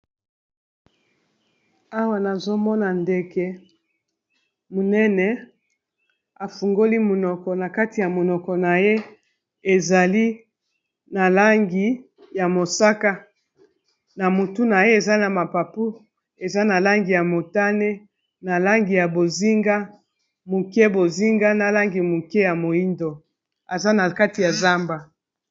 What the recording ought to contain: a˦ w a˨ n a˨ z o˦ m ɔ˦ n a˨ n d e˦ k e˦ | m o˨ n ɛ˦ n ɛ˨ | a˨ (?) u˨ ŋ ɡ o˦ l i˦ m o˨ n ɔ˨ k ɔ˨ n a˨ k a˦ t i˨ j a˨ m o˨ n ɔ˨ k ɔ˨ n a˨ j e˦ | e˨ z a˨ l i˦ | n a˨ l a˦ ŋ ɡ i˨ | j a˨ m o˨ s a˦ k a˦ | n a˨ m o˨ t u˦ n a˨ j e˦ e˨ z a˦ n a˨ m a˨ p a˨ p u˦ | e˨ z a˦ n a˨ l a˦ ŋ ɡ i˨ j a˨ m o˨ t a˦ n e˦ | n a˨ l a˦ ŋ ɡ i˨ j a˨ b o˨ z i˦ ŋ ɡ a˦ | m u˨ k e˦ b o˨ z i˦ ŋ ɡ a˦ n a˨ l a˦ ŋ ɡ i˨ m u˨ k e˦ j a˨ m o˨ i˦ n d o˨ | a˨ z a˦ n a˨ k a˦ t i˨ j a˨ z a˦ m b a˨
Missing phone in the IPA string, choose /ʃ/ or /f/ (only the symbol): f